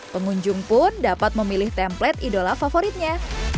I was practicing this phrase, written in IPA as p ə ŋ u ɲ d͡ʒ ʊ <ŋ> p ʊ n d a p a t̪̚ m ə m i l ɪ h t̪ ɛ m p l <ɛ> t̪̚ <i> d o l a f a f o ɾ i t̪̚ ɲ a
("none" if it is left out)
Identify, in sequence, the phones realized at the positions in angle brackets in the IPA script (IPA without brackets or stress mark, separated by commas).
ŋ, ɛ, i